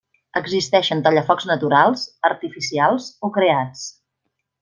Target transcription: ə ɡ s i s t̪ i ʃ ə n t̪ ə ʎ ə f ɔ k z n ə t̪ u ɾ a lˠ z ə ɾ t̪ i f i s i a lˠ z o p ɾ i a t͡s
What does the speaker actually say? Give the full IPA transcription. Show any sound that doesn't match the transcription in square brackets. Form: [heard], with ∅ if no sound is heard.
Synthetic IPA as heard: ə ɡ [z] i s t̪ [ɛ] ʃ ə n t̪ ə ʎ ə f ɔ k z n ə t̪ u ɾ a lˠ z ə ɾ t̪ i f i s i a lˠ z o [k] ɾ [e] a t͡s